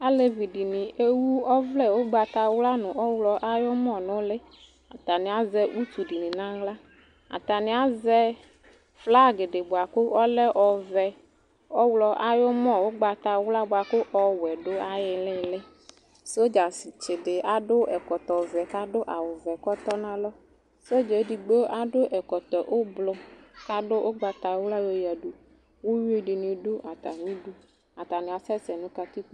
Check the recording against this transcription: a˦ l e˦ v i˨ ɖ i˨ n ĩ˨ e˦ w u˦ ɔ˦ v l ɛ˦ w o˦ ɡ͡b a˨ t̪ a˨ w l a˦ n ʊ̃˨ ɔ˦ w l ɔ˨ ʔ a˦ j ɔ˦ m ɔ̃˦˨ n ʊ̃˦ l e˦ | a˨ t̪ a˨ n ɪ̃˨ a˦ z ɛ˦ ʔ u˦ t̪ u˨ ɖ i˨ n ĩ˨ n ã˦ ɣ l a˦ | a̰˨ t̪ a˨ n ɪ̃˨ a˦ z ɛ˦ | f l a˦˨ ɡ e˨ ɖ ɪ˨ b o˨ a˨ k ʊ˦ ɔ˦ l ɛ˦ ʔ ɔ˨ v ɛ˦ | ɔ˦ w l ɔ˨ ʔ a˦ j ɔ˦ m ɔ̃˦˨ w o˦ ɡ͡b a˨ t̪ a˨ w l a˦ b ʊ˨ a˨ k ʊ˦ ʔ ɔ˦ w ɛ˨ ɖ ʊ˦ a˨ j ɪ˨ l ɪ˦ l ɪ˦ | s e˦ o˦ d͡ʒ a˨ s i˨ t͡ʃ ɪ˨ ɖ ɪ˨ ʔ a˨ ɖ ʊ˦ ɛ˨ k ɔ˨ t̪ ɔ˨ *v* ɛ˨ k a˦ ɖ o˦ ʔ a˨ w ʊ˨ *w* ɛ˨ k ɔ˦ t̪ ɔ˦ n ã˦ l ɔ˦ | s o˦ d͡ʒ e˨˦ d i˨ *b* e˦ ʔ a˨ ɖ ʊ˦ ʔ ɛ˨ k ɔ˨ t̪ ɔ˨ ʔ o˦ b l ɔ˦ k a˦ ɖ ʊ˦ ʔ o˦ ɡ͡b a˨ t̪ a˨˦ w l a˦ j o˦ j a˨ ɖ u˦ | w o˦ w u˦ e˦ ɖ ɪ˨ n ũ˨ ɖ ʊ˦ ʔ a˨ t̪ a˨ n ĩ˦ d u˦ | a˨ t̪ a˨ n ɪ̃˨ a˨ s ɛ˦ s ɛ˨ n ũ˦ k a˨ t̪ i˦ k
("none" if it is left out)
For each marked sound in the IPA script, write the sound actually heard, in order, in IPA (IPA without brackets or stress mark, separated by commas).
v, v, ɡ͡b